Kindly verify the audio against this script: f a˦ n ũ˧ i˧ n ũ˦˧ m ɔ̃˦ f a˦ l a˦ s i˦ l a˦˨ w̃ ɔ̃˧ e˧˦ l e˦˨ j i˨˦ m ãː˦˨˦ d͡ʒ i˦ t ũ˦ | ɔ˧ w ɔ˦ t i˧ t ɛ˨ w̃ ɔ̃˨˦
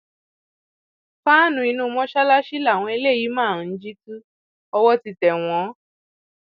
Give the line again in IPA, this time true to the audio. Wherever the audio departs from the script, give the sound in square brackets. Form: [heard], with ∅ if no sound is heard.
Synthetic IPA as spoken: f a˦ n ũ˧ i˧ n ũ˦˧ m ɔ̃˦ [ʃ] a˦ l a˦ [ʃ] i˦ l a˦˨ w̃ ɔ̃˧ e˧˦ l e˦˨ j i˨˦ m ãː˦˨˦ d͡ʒ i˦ t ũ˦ | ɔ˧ w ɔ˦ t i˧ t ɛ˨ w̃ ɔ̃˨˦